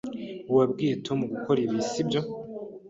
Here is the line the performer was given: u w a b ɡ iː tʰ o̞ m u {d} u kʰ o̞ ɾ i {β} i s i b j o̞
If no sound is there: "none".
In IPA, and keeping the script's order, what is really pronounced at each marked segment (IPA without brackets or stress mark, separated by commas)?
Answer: ɡ, β